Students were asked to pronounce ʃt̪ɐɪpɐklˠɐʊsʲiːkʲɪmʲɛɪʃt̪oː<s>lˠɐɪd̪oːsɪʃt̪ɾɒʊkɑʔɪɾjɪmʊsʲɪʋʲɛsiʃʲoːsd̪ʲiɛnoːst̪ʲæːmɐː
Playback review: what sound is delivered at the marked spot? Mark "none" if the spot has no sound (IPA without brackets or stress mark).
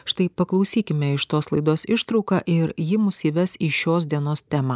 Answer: s